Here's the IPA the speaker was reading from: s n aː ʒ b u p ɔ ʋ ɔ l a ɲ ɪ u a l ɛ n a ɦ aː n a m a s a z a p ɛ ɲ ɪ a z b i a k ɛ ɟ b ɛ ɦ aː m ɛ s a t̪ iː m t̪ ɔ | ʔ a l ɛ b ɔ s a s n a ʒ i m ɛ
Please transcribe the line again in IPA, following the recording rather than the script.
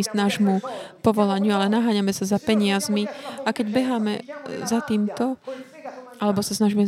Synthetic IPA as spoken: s n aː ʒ m u p ɔ ʋ ɔ l a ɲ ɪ u a l ɛ n a ɦ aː ɲ a m ɛ s a z a p ɛ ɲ ɪ a z m i a k ɛ ɟ b ɛ ɦ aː m ɛ z a t̪ iː m t̪ ɔ | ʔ a l ɛ b ɔ s a s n a ʒ i m ɛ